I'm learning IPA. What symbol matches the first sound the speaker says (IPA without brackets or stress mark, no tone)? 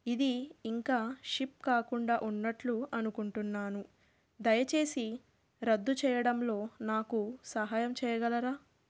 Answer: i